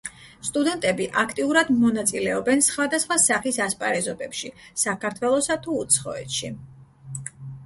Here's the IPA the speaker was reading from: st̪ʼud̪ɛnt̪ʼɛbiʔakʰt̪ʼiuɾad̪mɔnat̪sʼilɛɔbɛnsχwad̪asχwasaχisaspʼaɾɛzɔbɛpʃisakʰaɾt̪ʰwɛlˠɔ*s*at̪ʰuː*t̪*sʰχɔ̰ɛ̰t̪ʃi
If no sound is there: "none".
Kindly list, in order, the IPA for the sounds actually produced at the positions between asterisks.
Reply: s, t̪

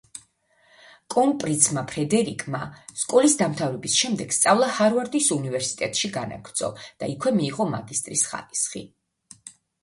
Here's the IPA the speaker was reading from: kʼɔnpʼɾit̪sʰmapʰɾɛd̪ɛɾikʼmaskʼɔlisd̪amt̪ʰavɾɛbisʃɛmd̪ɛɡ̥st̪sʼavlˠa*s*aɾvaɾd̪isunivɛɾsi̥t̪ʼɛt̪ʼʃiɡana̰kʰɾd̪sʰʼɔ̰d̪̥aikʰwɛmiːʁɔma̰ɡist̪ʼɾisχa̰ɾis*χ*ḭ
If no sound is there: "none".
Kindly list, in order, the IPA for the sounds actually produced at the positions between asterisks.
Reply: h, χ

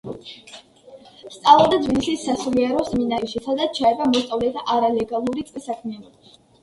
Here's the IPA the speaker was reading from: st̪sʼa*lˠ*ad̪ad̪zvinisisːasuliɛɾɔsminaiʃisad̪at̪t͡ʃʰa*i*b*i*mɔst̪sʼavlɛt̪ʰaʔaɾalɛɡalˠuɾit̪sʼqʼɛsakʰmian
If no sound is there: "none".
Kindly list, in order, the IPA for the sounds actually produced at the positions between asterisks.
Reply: lˠ, ɛ, a

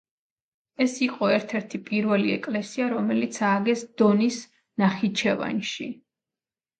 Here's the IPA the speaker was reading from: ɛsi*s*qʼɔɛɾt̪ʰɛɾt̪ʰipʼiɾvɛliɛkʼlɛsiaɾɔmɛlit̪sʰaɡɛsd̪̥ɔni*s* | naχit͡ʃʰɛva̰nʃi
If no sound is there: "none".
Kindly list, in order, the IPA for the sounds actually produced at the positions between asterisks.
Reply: none, s

